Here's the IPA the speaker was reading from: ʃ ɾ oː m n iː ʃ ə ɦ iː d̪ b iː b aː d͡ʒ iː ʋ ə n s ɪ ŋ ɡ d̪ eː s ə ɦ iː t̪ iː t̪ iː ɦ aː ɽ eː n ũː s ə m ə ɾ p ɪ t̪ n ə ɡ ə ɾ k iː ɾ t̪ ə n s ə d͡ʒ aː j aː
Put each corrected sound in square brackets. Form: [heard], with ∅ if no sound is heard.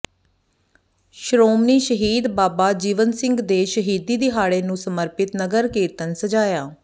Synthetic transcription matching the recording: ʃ ɾ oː m n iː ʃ ə ɦ iː d̪ b [aː] b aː d͡ʒ iː ʋ ə n s ɪ ŋ ɡ d̪ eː [ʃ] ə ɦ iː [d̪] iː [d̪] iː ɦ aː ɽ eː n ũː s ə m ə ɾ p ɪ t̪ n ə ɡ ə ɾ k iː ɾ t̪ ə n s ə d͡ʒ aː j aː